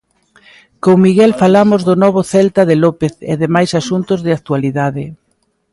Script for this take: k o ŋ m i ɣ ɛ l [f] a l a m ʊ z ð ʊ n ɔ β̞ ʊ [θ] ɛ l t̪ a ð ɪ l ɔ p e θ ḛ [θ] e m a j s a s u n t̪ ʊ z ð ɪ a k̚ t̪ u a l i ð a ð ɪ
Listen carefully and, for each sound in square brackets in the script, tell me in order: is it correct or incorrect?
correct, correct, incorrect

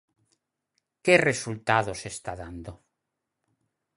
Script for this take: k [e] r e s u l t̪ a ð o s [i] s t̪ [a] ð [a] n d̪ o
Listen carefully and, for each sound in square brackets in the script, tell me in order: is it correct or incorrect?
correct, incorrect, correct, correct

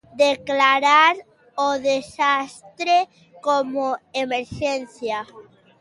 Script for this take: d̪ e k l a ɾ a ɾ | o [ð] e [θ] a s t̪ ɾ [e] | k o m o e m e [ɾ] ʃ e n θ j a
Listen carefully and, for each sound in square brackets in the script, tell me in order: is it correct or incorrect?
correct, incorrect, correct, correct

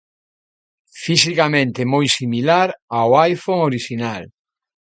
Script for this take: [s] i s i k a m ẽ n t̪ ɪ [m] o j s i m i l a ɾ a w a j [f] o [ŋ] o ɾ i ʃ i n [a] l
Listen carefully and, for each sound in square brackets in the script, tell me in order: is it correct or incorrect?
incorrect, correct, correct, correct, correct

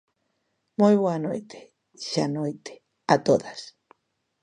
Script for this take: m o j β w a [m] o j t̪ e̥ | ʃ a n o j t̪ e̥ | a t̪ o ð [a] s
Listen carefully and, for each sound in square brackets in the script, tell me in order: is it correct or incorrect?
incorrect, correct

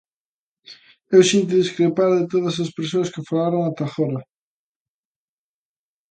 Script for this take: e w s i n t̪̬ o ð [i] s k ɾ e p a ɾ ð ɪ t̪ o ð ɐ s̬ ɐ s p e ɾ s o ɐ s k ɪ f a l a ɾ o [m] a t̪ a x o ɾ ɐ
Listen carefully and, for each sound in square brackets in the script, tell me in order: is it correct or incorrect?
correct, incorrect

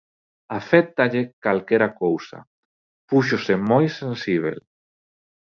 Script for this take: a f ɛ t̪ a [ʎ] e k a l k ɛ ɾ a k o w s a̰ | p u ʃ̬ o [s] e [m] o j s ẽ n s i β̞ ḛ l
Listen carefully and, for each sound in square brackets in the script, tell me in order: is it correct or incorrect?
correct, correct, correct

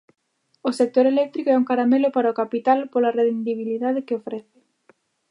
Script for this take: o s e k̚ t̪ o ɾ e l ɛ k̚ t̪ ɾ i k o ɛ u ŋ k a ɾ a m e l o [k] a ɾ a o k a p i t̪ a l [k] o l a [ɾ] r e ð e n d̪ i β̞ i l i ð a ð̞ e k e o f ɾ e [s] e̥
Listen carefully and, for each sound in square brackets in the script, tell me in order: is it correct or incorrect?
incorrect, incorrect, incorrect, incorrect

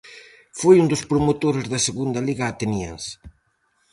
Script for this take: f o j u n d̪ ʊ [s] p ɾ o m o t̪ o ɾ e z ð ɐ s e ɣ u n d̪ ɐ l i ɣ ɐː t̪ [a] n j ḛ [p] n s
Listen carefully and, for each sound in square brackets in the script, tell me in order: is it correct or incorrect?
correct, incorrect, incorrect

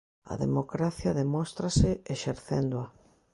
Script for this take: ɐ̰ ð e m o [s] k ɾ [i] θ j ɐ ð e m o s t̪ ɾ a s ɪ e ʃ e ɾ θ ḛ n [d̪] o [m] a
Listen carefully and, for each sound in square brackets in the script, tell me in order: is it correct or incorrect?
incorrect, incorrect, correct, incorrect

